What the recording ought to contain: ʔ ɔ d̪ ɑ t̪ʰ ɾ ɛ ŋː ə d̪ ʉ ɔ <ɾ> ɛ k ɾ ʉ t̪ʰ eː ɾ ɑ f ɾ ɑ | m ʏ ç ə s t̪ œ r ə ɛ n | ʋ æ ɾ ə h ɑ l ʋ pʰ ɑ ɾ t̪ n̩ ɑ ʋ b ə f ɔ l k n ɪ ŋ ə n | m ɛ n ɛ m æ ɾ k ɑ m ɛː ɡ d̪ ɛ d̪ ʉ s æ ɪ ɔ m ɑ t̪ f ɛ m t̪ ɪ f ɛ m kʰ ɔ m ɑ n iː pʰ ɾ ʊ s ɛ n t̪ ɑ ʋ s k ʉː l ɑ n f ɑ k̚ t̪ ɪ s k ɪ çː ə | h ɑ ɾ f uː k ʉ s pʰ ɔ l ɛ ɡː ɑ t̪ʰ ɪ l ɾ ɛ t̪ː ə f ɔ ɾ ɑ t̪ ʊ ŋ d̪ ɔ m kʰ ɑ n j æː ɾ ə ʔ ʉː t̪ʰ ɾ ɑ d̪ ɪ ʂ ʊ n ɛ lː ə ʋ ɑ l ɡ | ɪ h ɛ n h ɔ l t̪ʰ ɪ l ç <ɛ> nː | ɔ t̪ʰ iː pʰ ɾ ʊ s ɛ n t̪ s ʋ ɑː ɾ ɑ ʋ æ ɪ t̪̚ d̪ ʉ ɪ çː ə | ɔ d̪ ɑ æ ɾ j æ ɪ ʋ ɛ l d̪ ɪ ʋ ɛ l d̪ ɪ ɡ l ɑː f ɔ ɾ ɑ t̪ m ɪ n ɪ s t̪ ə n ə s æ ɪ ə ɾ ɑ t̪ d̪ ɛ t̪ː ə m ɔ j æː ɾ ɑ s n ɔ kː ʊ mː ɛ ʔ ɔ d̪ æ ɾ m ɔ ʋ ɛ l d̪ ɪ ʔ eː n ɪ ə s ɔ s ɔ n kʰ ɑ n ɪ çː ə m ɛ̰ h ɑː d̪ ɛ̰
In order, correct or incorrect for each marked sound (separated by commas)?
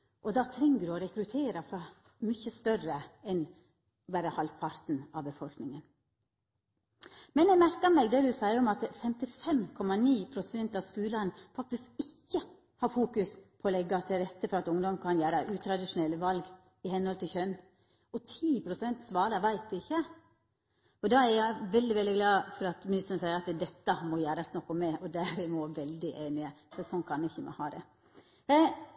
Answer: correct, incorrect